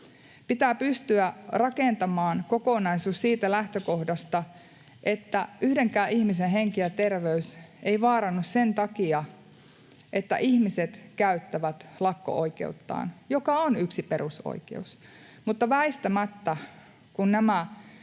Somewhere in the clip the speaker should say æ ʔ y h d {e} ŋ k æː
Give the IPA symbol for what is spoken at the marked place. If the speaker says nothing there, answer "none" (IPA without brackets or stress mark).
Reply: e